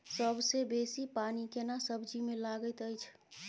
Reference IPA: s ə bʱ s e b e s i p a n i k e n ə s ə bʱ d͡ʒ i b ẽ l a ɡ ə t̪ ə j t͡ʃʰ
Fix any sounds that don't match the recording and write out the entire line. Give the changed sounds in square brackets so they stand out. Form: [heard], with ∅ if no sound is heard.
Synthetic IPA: s ə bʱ s e b e s i p a n i k e n [a] s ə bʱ d͡ʒ i [m] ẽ l a ɡ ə t̪ ə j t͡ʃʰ